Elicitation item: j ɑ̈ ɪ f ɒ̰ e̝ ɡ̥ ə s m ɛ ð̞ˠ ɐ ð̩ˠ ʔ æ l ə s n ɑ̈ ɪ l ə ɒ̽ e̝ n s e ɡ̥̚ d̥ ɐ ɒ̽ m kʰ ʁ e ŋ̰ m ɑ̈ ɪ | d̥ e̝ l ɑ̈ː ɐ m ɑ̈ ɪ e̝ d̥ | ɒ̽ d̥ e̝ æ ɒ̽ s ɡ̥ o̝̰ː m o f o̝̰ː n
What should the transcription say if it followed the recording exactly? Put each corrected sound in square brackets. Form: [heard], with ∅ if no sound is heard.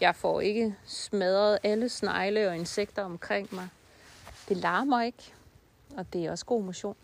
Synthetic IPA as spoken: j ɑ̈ ɪ f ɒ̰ e̝ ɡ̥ ə s m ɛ ð̞ˠ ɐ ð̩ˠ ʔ æ l ə s n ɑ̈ ɪ l ə ɒ̽ e̝ n s e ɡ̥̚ d̥ ɐ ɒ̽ m kʰ ʁ e ŋ̰ m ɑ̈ ɪ | d̥ e̝ l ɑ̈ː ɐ m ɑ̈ ɪ e̝ [ɡ̥] | ɒ̽ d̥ e̝ æ ɒ̽ s ɡ̥ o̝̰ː m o [ɕ] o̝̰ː n